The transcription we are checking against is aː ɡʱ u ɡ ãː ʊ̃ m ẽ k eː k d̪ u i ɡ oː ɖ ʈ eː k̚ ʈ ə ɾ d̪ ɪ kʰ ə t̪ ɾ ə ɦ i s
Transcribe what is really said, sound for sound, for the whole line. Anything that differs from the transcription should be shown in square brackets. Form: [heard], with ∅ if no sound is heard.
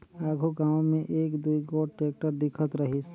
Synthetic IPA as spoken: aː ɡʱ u ɡ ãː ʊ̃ m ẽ [ʔ] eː k d̪ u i ɡ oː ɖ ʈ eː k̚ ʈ ə ɾ d̪ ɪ kʰ ə t̪ ɾ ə ɦ i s